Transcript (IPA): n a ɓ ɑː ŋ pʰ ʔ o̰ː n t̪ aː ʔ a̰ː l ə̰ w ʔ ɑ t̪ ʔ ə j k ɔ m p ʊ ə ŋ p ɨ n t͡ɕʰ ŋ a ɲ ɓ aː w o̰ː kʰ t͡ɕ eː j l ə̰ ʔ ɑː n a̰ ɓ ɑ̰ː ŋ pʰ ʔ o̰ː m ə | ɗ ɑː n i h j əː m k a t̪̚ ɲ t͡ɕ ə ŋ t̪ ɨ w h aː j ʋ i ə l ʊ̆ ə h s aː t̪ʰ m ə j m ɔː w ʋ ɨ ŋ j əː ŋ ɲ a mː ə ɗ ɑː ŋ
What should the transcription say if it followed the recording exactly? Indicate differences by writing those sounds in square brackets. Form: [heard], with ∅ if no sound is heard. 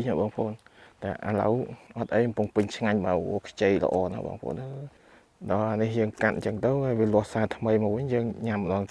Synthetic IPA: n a ɓ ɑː ŋ pʰ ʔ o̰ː n t̪ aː ʔ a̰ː l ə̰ w ʔ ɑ t̪ ʔ ə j k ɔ m p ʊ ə ŋ p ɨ [ɲ] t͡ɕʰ ŋ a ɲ ɓ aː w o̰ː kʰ t͡ɕ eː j l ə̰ ʔ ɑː n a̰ ɓ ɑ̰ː ŋ pʰ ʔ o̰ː [n] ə | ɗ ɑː n i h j əː [ŋ] k a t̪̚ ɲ t͡ɕ ə ŋ t̪ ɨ w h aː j ʋ i ə l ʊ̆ ə h s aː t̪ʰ m ə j m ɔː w ʋ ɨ [ɲ] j əː ŋ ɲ a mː ə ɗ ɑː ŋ